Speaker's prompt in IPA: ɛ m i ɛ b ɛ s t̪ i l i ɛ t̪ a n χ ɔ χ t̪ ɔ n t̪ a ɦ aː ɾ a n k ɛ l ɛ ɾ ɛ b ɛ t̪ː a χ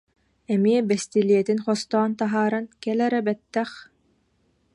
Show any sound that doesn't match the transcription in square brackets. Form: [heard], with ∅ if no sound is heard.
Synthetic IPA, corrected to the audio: ɛ m i ɛ b ɛ s t̪ i l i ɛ t̪ [i] n χ ɔ [s] t̪ [ɔː] n t̪ a ɦ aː ɾ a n k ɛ l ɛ ɾ ɛ b ɛ t̪ː [ɛ] χ

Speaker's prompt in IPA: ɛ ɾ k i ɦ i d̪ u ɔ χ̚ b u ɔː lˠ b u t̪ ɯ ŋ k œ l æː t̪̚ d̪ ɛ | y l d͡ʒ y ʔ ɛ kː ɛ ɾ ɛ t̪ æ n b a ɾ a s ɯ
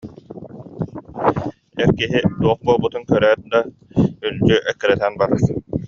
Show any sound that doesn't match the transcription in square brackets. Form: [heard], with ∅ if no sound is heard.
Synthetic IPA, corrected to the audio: ɛ ɾ k i ɦ i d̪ u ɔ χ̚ b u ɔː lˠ b u t̪ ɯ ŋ k œ [ɾ] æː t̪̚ d̪ [a] | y l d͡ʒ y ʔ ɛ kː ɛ ɾ ɛ t̪ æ n b a ɾ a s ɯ

